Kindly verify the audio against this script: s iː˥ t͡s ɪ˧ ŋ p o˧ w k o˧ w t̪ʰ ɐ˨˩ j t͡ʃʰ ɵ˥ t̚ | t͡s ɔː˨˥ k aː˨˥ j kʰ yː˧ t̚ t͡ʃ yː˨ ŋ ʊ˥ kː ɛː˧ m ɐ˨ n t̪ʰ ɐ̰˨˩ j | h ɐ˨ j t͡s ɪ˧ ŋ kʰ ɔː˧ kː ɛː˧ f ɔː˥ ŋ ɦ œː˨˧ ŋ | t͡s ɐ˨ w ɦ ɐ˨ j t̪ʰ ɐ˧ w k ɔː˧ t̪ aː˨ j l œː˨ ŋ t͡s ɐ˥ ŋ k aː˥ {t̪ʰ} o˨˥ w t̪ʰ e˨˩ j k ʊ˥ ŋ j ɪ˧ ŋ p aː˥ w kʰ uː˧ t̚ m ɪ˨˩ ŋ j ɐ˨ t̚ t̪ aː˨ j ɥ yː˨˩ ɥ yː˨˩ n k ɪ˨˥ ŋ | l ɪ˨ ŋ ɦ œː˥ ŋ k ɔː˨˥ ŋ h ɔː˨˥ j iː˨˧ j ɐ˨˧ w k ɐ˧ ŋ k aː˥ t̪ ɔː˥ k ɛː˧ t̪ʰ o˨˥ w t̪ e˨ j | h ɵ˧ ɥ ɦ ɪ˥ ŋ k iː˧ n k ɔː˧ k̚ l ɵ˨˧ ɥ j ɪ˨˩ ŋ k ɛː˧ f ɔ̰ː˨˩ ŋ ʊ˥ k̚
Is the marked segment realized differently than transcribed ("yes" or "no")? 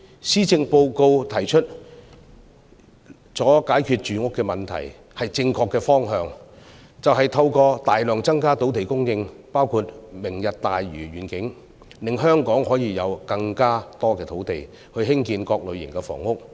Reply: yes